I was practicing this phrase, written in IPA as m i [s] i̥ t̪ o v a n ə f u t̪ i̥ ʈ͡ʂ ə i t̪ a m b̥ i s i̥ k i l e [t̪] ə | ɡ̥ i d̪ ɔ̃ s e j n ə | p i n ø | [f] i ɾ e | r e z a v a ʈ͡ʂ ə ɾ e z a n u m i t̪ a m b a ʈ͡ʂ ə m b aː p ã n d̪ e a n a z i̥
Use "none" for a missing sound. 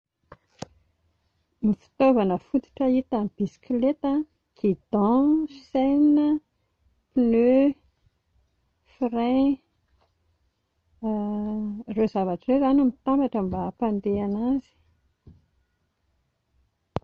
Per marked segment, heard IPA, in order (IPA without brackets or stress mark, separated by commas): f, t̪, f